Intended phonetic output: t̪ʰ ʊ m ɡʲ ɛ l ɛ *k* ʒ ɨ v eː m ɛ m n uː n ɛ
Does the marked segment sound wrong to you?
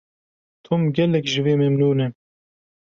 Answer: no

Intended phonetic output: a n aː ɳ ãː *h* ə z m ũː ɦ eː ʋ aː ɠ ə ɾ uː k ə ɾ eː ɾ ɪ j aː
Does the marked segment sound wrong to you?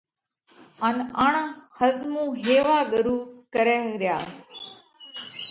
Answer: no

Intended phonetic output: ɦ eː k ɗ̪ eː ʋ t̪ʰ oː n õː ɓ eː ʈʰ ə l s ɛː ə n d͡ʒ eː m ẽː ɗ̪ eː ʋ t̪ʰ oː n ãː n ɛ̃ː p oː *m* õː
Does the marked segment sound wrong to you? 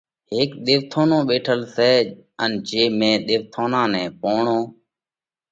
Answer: yes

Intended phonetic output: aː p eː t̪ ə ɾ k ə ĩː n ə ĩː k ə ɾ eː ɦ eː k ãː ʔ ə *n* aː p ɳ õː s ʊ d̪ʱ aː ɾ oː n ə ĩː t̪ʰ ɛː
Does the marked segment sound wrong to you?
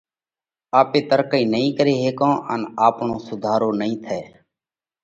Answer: no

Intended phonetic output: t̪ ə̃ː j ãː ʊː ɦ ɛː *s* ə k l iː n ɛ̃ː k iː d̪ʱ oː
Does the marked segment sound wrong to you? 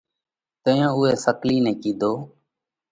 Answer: no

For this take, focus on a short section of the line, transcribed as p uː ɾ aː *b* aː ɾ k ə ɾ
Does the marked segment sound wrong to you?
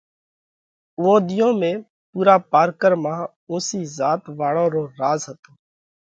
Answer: yes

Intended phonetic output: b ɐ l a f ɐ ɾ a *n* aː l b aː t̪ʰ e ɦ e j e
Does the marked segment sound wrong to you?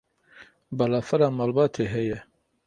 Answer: yes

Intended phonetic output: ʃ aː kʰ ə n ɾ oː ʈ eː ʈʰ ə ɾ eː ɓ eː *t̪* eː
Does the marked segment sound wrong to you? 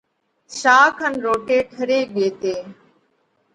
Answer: no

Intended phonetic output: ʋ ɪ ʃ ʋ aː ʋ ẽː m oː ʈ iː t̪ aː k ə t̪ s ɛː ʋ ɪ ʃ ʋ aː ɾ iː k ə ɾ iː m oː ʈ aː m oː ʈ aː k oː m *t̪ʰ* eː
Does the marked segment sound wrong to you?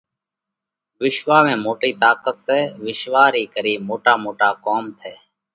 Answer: no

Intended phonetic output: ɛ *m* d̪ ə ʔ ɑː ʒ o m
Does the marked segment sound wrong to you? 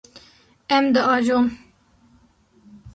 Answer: no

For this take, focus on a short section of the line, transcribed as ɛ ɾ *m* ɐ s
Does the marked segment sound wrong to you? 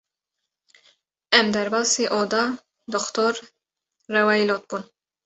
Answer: yes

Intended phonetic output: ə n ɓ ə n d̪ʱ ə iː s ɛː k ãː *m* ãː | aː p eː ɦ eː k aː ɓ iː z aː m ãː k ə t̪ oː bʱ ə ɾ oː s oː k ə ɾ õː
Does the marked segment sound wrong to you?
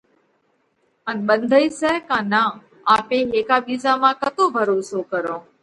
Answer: yes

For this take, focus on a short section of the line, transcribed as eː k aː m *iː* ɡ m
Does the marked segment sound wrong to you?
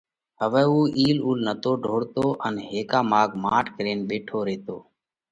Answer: yes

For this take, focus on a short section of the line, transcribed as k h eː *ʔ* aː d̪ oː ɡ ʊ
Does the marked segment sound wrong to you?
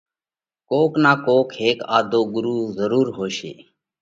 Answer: yes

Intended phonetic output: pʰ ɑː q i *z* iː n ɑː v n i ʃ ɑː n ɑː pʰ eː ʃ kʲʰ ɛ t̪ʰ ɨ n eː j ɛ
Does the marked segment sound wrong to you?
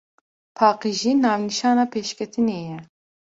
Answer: yes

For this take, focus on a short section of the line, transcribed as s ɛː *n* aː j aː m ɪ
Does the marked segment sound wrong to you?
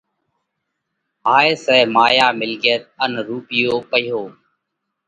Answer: yes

